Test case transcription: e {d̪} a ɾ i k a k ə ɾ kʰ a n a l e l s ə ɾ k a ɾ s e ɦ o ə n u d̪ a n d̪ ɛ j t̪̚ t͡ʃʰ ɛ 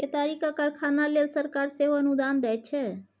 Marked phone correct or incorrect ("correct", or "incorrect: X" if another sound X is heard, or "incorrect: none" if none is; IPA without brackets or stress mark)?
incorrect: t̪